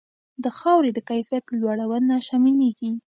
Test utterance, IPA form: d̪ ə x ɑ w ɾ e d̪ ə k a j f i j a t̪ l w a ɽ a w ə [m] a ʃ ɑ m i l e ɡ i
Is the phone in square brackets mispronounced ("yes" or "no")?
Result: yes